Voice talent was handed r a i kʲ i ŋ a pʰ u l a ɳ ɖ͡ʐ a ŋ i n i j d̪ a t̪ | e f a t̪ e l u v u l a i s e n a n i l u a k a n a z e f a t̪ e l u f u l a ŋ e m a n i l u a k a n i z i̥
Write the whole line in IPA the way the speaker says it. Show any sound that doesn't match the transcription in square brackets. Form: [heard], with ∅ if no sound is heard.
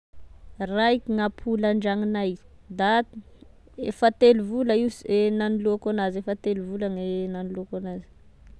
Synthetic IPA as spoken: r a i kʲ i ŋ a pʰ u l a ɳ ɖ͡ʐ a ŋ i n [a] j d̪ a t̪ | e f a t̪ e l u v u l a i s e n a n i l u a k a n a z e f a t̪ e l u [v] u l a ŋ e [n] a n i l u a k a n [a] z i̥